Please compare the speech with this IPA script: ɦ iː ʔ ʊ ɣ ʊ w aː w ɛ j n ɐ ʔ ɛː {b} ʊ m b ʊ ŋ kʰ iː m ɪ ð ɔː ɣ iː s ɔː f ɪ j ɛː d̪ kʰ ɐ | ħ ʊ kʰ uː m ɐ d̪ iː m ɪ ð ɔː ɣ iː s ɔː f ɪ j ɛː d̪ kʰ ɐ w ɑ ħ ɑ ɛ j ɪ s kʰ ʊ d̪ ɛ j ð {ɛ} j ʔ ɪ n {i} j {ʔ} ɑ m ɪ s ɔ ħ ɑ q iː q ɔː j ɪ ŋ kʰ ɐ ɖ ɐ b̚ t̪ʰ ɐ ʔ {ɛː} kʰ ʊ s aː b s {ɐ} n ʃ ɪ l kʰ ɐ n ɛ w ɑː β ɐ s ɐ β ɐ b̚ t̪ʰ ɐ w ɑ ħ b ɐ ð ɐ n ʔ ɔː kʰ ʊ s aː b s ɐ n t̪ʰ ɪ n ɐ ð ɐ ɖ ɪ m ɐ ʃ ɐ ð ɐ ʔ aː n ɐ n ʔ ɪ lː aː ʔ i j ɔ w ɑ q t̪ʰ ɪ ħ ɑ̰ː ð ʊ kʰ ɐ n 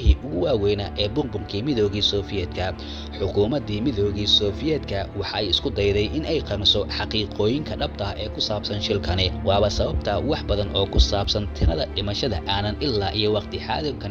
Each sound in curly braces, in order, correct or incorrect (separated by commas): correct, correct, incorrect, incorrect, correct, correct